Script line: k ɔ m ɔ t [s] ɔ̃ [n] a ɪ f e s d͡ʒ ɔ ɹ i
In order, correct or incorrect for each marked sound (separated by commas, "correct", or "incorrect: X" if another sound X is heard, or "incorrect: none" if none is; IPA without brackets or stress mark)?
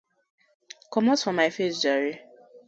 incorrect: f, incorrect: m